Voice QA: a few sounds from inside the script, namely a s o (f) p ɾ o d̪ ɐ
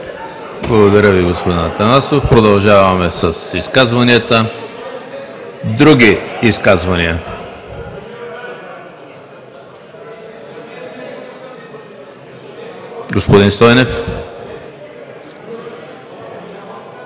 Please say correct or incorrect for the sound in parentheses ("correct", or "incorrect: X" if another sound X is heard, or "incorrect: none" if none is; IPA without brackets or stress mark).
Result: correct